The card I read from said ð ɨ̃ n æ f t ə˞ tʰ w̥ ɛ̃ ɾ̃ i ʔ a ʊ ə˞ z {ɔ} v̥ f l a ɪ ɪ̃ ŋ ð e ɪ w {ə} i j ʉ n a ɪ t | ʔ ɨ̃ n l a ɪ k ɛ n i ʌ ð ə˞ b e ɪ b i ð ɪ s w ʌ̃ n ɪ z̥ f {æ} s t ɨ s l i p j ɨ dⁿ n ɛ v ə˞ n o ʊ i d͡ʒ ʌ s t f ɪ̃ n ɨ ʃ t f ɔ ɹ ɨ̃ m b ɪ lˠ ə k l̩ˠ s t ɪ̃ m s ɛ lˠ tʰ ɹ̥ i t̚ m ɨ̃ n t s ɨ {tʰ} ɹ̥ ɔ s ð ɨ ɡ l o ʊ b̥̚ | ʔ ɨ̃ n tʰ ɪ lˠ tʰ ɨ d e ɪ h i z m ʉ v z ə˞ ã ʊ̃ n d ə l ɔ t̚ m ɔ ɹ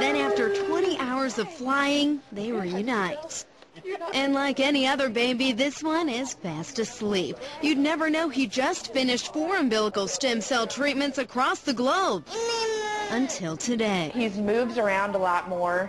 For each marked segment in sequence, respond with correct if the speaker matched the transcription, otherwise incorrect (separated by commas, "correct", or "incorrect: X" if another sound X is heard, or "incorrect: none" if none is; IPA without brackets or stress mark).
incorrect: ʌ, correct, correct, incorrect: kʰ